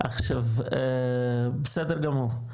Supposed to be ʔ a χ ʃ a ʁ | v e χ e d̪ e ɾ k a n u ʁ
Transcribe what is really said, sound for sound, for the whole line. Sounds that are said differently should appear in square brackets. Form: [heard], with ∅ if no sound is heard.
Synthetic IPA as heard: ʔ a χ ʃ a [v] | [b] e [s] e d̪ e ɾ [ɡ] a [m] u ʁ